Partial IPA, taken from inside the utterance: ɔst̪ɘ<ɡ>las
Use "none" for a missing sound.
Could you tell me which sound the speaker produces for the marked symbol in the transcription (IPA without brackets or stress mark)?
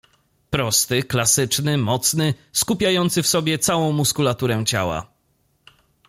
k